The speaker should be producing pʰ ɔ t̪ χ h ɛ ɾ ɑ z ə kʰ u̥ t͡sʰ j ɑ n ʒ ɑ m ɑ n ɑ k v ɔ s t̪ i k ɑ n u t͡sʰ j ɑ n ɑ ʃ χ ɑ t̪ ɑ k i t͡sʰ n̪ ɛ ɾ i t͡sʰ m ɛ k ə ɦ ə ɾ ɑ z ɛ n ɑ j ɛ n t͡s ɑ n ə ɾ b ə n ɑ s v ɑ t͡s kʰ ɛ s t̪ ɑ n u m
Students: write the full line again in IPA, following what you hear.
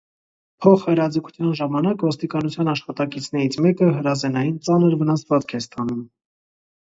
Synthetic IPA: pʰ ɔ χ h ɛ ɾ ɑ d͡z ə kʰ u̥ t͡sʰ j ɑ n ʒ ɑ m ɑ n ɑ k v ɔ s t̪ i k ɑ n u t͡sʰ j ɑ n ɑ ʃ χ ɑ t̪ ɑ k i t͡sʰ n̪ ɛ ɾ i t͡sʰ m ɛ k ə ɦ ə ɾ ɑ z ɛ n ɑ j i n t͡s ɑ n ə ɾ v ə n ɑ s v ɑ t͡s kʰ ɛ s t̪ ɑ n u m